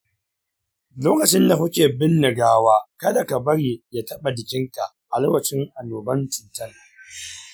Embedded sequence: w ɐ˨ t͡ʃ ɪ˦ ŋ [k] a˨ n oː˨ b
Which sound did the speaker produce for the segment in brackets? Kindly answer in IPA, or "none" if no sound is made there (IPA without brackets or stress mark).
ʔ